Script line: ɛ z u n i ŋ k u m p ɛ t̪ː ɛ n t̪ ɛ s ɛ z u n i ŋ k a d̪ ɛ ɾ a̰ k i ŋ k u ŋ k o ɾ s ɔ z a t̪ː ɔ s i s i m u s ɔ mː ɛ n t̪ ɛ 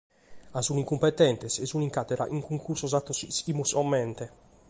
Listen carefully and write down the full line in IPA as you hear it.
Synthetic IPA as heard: a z u n i ŋ k u m p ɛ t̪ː ɛ n t̪ ɛ s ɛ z u n i ŋ k a t̪ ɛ ɾ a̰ ʔ i ŋ k u ŋ k u ɾ s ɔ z a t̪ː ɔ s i s i m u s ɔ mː ɛ n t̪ ɛ